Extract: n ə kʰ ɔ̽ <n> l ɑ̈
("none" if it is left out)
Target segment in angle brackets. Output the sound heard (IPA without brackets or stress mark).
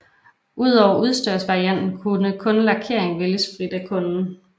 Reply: n